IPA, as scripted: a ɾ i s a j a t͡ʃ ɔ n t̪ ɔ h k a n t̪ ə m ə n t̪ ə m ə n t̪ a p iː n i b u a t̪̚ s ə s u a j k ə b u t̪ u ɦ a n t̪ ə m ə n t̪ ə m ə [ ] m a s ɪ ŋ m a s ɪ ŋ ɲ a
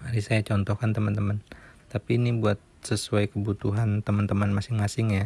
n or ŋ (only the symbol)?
n